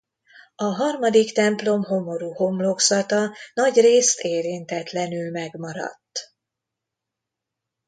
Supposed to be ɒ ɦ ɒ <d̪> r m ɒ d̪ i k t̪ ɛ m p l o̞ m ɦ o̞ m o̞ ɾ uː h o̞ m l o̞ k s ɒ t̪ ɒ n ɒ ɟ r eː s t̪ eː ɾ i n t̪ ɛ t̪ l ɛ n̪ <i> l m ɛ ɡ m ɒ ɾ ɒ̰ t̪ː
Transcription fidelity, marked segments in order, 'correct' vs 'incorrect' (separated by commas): incorrect, incorrect